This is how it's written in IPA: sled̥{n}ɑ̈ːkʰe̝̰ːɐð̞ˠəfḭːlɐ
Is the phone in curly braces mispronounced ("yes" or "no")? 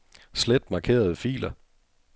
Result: yes